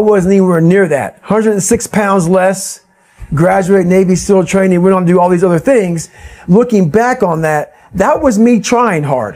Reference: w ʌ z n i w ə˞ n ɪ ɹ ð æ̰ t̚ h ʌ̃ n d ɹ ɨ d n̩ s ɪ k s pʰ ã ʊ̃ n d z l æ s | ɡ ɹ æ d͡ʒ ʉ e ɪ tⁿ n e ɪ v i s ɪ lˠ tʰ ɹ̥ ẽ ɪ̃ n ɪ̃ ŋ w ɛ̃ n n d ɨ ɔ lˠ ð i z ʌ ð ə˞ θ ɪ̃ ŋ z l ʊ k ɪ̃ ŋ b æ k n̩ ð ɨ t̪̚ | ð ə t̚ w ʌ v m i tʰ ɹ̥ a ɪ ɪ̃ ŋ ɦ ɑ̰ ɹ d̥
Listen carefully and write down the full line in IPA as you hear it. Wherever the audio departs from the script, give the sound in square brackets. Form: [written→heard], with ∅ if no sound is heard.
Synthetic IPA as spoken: w ʌ z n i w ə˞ n ɪ ɹ ð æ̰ t̚ h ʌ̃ n d ɹ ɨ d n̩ s ɪ k s pʰ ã ʊ̃ n d z l [æ→ɛ] s | ɡ ɹ æ d͡ʒ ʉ e ɪ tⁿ n e ɪ v i s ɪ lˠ tʰ ɹ̥ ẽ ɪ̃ n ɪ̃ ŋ w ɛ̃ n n d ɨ ɔ lˠ ð i z ʌ ð ə˞ θ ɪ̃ ŋ z l ʊ k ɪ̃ ŋ b æ k n̩ ð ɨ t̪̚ | ð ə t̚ w ʌ [v→z] m i tʰ ɹ̥ a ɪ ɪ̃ ŋ ɦ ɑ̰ ɹ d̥